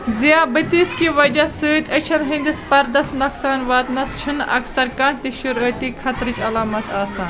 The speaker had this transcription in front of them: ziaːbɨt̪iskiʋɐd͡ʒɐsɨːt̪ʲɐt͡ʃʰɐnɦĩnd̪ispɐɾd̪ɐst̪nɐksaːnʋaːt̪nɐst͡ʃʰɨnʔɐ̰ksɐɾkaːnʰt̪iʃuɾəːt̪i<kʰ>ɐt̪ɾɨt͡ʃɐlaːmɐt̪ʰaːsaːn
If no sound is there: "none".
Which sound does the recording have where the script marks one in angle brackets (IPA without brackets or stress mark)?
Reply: kʰ